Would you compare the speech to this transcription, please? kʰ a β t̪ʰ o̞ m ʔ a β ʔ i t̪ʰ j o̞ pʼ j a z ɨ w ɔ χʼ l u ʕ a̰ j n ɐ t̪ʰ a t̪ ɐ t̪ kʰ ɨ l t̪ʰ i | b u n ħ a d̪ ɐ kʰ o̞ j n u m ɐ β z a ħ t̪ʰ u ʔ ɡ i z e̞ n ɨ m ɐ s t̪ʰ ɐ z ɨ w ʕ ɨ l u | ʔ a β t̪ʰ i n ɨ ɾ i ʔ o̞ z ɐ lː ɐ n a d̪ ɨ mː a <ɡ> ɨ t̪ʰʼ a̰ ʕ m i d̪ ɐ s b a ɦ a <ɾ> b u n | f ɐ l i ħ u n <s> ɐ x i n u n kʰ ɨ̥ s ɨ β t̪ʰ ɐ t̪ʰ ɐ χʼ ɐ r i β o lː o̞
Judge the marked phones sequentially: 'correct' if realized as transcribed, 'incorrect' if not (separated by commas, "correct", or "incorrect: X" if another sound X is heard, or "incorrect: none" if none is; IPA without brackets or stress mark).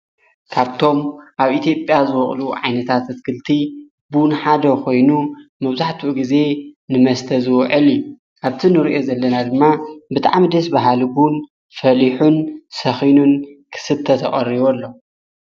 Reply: incorrect: b, incorrect: l, correct